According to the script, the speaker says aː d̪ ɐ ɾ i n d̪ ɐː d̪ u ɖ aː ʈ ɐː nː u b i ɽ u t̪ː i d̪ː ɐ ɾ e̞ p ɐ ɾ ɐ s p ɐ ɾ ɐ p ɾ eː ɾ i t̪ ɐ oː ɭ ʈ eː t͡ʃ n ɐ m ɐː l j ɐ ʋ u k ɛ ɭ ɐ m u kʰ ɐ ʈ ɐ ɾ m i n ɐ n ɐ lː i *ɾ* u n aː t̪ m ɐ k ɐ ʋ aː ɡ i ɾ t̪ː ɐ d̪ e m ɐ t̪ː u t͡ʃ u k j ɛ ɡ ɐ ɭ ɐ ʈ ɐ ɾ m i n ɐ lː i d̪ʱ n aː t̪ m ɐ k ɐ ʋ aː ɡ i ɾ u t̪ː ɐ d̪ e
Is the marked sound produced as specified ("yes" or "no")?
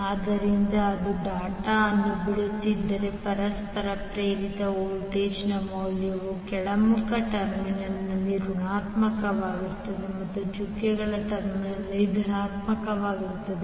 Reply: yes